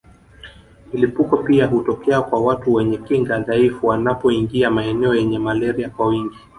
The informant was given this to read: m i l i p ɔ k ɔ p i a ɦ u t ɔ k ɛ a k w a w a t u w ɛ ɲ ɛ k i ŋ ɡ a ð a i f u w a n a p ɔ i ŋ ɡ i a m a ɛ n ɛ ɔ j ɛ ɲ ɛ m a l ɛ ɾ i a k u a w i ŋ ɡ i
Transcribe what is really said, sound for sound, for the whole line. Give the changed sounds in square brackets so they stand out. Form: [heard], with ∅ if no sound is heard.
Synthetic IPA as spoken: m i l i p [u] k ɔ p i a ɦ u t ɔ k ɛ a k w a w a t u w ɛ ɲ ɛ k i ŋ ɡ a ð a i f u w a n a p ɔ i ŋ ɡ i a m a ɛ n ɛ ɔ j ɛ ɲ ɛ m a l ɛ ɾ i a k [w] a w i ŋ ɡ i